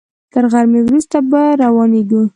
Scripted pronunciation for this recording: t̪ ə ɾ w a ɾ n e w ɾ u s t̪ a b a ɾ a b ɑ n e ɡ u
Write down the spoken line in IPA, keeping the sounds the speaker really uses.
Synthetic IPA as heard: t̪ ə ɾ ɣ a ɾ m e w ɾ u s t̪ a b a ɾ a w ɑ n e ɡ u